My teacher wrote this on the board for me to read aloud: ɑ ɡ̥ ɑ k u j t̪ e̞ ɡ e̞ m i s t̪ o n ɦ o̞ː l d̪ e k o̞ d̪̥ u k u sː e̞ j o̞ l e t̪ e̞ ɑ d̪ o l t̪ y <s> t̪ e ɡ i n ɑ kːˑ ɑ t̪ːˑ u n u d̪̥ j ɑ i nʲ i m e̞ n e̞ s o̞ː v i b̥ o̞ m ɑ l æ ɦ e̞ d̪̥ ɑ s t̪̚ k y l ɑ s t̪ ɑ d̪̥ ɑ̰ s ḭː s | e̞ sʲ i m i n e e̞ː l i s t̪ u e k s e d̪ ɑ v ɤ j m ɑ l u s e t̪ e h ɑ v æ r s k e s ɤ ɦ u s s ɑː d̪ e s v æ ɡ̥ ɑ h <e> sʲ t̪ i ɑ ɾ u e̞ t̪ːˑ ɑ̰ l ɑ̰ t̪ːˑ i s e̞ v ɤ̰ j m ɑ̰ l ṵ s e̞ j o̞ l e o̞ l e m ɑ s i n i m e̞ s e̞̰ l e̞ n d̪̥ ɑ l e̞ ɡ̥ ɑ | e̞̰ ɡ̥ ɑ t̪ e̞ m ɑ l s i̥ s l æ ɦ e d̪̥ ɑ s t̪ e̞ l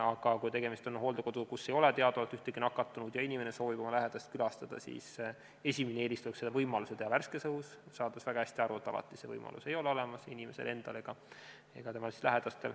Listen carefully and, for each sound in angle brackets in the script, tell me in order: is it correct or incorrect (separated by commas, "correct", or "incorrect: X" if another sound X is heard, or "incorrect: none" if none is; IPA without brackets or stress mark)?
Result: incorrect: h, incorrect: æ